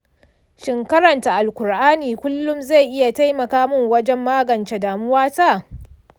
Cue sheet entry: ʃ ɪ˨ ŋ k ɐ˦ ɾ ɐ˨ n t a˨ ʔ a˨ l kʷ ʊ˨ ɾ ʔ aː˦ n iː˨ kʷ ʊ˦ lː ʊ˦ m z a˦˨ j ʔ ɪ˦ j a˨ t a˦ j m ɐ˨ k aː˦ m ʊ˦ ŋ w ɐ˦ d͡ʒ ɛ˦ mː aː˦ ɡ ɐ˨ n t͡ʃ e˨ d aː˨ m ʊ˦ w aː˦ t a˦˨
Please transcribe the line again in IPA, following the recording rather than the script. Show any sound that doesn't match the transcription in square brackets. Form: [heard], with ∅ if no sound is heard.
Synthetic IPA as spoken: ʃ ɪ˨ ŋ k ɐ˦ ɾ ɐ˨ n t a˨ ʔ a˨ l kʷ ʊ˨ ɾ ʔ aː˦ n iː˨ kʷ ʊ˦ lː ʊ˦ m z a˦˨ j ʔ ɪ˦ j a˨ t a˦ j m ɐ˨ k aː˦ m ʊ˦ ŋ w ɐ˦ d͡ʒ ɛ˦ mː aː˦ ɡ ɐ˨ n t͡ʃ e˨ d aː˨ m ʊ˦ w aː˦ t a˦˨